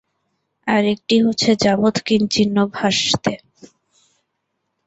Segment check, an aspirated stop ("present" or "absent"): absent